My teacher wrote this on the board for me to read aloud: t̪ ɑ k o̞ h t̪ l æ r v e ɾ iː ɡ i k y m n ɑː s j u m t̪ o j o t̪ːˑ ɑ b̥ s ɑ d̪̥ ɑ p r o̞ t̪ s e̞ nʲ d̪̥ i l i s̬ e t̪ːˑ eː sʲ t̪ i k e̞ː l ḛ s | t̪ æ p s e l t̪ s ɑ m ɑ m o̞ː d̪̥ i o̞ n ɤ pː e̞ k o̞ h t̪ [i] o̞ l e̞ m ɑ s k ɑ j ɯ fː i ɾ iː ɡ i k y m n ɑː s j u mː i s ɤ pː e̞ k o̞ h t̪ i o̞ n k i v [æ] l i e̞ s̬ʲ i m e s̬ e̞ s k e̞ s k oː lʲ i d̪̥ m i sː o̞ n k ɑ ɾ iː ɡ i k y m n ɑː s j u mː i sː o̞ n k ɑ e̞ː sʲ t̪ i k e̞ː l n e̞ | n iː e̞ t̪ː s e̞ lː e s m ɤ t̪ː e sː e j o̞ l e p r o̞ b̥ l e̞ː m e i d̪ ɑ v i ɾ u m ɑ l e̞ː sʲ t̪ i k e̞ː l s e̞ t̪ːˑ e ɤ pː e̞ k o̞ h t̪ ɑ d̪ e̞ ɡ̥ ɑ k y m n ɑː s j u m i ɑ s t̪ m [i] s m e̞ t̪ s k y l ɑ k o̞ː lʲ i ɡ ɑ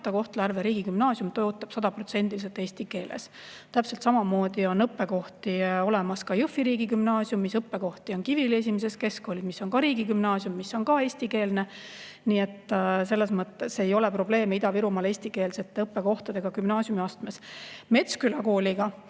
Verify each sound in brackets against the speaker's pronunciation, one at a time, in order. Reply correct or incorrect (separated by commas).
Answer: correct, incorrect, incorrect